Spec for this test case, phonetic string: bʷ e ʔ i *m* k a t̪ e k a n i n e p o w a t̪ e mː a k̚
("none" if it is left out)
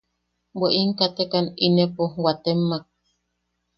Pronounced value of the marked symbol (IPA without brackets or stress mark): ŋ